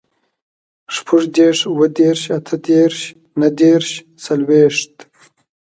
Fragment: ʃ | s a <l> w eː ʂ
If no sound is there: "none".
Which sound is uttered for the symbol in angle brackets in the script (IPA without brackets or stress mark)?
l